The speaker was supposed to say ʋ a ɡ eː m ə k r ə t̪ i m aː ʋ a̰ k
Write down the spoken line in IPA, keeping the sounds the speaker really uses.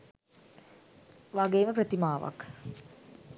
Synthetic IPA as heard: ʋ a ɡ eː m ə p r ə t̪ i m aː ʋ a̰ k